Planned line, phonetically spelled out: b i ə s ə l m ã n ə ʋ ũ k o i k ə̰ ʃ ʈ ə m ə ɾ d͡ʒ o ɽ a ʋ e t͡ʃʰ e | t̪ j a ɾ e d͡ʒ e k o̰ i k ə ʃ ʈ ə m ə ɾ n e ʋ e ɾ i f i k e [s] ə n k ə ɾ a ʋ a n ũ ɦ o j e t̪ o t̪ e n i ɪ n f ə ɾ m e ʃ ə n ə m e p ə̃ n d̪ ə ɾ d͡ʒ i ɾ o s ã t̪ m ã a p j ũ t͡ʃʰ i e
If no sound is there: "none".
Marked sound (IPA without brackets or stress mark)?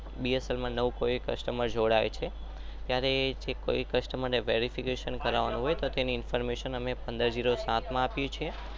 ʃ